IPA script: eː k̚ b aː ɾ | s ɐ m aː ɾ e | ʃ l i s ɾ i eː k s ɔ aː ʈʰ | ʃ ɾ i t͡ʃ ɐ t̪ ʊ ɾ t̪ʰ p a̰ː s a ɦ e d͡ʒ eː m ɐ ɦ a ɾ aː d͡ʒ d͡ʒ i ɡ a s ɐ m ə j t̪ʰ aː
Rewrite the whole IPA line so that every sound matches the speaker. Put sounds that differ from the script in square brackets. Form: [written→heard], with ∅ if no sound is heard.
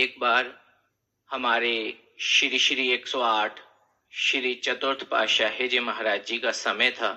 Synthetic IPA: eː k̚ b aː ɾ | [s→h] ɐ m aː ɾ e | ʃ [l→ɾ] i [s→ʃ] ɾ i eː k s ɔ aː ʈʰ | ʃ ɾ i t͡ʃ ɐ t̪ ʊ ɾ t̪ʰ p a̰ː [s→ʃ] a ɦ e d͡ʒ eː m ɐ ɦ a ɾ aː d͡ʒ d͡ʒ i [ɡ→k] a s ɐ m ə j t̪ʰ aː